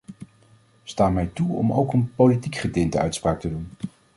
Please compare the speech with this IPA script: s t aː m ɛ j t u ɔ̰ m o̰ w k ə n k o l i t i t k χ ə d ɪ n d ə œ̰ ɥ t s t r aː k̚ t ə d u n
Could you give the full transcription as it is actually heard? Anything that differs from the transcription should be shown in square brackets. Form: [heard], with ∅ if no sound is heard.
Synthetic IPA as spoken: s t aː m ɛ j t u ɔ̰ m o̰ w k ə n [p] o l i t i [∅] k χ ə d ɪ n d ə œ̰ ɥ t s [p] r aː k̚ t ə d u n